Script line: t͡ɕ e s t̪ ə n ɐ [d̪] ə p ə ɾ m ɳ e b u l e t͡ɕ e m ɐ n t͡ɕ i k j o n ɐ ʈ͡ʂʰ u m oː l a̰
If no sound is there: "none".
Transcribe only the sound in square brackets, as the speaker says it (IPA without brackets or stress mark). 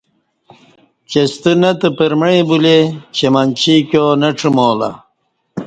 t̪